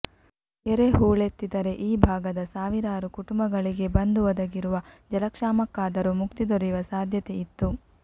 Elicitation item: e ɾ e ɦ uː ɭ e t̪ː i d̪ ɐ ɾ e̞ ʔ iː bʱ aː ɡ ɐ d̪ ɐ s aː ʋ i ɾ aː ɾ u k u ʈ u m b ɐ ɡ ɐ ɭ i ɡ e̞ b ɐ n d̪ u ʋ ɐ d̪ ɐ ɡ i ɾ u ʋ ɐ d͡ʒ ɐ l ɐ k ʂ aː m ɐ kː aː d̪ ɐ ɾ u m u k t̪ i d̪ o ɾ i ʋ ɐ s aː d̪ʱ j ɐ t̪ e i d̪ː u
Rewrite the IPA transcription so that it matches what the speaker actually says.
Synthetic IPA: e ɾ e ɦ uː ɭ e t̪ː i d̪ ɐ ɾ e̞ ʔ iː bʱ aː ɡ ɐ d̪ ɐ s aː ʋ i ɾ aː ɾ u k u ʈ u m b ɐ ɡ ɐ ɭ i ɡ e̞ b ɐ n d̪ u ʋ ɐ d̪ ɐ ɡ i ɾ u ʋ ɐ d͡ʒ ɐ l ɐ k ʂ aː m ɐ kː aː d̪ ɐ ɾ u m u k t̪ i d̪ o ɾ i ʋ ɐ s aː d̪ʱ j ɐ t̪ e i t̪ː u